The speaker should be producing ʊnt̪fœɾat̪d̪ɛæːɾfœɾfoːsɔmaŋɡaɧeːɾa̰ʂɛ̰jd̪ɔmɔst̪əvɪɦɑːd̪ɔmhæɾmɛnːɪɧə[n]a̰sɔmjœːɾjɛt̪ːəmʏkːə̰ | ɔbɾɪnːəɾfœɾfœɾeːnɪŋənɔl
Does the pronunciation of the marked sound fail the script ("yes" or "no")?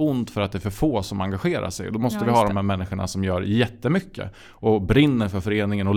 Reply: yes